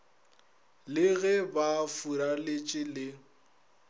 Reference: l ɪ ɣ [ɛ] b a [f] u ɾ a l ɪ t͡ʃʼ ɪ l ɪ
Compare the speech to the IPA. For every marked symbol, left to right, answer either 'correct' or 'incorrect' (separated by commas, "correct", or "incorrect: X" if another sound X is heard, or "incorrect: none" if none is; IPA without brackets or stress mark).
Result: correct, correct